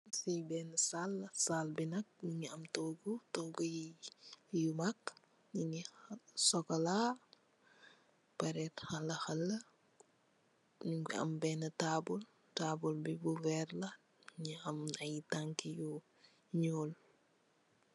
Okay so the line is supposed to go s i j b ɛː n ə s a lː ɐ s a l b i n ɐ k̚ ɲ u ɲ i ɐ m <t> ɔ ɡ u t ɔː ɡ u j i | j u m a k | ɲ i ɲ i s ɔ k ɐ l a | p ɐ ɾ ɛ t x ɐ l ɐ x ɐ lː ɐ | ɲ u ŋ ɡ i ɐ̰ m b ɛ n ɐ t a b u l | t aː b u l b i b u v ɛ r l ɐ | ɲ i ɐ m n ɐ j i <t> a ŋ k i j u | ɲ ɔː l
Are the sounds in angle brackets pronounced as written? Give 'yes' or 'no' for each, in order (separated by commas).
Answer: yes, yes